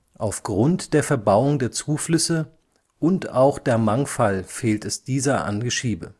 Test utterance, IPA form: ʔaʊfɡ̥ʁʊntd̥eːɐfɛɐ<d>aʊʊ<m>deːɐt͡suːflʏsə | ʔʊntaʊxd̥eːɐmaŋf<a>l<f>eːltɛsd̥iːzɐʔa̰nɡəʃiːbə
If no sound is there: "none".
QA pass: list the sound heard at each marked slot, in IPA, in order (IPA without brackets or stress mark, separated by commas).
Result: b, ŋ, a, f